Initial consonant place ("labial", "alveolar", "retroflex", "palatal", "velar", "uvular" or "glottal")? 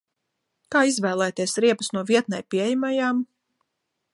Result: velar